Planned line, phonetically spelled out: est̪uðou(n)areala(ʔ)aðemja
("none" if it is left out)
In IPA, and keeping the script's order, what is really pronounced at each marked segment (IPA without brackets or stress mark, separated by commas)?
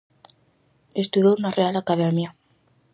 n, k